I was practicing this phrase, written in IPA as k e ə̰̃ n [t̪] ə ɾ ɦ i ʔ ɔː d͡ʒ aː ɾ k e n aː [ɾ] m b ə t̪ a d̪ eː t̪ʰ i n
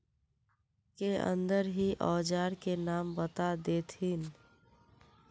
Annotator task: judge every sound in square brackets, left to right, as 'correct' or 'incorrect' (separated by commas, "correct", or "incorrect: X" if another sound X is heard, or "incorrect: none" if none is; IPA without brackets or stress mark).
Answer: incorrect: d̪, incorrect: none